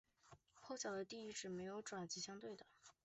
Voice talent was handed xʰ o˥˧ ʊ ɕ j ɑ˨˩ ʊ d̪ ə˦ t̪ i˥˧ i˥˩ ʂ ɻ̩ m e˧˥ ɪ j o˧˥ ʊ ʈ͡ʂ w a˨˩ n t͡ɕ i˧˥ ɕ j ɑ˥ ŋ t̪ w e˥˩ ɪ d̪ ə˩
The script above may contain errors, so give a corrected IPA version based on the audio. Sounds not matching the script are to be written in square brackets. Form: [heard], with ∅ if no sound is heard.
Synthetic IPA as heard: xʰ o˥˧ ʊ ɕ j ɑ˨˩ ʊ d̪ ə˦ t̪ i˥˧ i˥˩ [ʈ͡ʂ] ɻ̩ m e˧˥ ɪ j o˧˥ ʊ ʈ͡ʂ w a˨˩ n t͡ɕ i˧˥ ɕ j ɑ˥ ŋ t̪ w e˥˩ ɪ d̪ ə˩